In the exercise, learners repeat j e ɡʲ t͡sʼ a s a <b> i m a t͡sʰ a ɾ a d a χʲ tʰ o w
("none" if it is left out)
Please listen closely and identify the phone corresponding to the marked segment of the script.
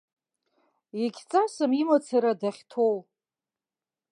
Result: m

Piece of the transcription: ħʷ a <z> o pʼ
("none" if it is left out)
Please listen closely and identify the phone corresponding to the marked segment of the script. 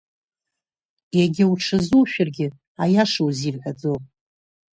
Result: d͡z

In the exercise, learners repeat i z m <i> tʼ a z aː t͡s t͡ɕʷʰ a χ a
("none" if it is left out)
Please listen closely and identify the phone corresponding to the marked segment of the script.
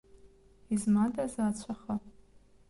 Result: a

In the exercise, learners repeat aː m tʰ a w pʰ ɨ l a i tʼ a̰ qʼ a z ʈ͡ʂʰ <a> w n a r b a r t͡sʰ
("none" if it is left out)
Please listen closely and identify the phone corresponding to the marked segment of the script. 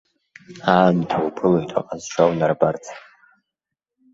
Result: a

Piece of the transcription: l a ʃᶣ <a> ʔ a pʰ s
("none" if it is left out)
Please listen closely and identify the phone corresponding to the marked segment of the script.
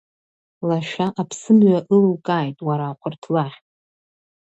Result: a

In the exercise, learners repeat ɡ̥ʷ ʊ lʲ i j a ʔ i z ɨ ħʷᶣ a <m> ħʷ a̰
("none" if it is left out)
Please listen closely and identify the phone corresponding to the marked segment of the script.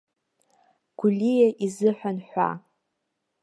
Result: n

